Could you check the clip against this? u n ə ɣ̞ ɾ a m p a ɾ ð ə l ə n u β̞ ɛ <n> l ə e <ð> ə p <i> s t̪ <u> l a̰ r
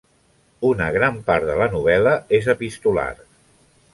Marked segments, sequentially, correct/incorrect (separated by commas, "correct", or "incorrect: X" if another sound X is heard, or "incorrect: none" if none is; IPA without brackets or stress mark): incorrect: none, incorrect: z, correct, correct